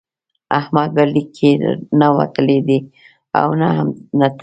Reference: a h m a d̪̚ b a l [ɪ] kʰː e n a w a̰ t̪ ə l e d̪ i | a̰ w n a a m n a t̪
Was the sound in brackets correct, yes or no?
no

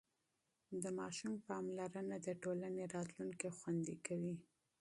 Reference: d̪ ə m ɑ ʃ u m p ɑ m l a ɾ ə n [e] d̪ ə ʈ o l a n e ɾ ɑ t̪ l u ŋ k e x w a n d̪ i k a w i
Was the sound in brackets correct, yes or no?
no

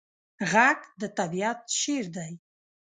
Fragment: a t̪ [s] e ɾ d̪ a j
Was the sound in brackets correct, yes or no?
no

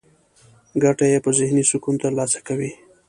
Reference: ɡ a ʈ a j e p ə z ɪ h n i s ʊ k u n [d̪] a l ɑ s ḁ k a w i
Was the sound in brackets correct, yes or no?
no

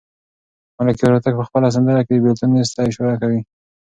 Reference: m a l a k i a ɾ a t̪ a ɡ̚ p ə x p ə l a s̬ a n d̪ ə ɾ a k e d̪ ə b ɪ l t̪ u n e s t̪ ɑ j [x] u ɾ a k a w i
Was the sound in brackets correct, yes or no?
no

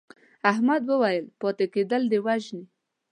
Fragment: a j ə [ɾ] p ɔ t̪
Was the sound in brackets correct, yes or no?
no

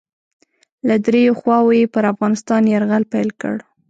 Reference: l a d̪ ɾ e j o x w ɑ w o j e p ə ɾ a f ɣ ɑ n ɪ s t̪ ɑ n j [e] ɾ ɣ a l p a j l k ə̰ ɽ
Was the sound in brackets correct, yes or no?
no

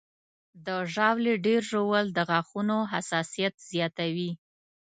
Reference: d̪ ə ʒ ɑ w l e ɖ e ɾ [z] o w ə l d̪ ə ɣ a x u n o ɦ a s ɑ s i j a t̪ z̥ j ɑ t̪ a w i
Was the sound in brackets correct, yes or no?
no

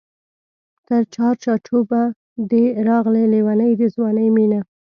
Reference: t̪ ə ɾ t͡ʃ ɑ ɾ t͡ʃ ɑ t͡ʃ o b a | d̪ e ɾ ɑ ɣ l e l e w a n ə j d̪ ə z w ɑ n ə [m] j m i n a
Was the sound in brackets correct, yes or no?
no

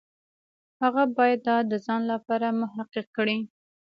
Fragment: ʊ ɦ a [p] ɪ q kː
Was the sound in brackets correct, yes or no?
no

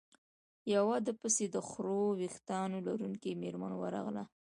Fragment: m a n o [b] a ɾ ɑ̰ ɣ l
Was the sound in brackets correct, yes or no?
no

